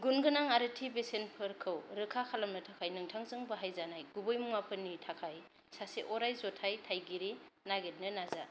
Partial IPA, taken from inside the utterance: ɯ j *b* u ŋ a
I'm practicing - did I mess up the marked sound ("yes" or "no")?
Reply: yes